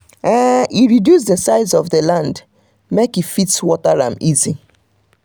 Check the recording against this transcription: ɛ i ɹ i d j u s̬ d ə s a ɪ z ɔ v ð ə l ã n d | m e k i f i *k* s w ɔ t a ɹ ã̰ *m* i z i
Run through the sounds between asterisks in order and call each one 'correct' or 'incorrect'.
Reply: incorrect: t, correct

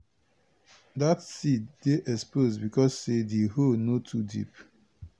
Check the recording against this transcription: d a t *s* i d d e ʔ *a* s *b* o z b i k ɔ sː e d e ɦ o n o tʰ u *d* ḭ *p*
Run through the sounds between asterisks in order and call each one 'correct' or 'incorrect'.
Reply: correct, incorrect: ɛ, incorrect: p, correct, correct

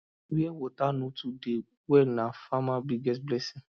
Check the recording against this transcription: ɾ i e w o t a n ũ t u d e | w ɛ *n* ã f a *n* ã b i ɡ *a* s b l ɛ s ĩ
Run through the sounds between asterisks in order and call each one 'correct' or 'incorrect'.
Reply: correct, incorrect: m, incorrect: ɛ

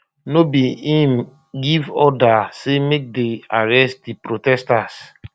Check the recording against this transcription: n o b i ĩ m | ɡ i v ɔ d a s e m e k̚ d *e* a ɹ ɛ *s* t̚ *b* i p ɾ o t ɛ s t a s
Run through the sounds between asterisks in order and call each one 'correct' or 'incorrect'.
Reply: correct, correct, incorrect: d

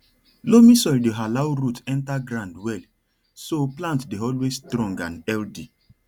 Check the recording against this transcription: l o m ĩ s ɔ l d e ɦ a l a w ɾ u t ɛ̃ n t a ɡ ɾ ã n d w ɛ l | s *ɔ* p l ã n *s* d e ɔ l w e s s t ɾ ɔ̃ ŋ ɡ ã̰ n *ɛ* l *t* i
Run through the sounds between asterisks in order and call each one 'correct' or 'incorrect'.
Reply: incorrect: o, incorrect: t, correct, incorrect: d

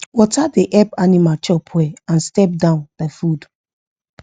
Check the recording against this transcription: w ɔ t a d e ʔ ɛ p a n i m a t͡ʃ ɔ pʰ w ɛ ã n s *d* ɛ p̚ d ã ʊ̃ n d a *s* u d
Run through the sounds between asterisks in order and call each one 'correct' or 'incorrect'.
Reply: incorrect: t, incorrect: f

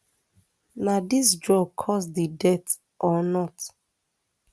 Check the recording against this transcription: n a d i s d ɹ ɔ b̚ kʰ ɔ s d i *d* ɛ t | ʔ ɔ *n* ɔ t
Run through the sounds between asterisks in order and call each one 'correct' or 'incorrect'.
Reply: correct, correct

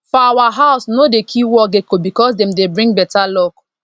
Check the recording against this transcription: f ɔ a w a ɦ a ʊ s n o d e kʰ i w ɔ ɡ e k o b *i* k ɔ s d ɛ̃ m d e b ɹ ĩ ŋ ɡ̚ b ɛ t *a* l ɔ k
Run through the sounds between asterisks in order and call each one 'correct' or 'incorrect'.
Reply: correct, correct

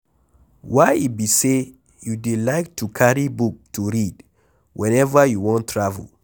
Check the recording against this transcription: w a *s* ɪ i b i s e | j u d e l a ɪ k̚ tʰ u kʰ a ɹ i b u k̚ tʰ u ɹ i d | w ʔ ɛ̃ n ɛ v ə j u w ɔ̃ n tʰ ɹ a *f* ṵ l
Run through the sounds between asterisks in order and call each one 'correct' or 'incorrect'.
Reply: incorrect: none, incorrect: v

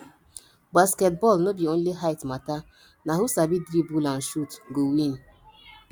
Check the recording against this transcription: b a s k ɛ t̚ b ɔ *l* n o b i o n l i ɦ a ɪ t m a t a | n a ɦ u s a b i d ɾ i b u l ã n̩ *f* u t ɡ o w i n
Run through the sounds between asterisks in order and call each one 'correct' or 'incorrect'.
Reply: correct, incorrect: ʃ

